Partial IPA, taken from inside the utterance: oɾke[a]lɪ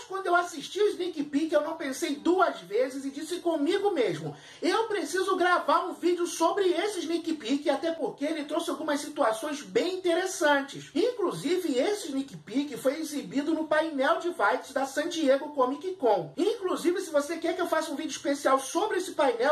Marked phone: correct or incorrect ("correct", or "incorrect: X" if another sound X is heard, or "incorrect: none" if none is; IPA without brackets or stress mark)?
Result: incorrect: e